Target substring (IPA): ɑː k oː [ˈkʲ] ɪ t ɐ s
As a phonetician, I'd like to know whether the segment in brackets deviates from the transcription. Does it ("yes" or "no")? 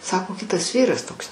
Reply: no